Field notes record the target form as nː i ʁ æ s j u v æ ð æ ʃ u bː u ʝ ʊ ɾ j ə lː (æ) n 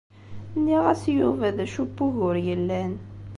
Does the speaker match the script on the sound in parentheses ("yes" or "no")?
yes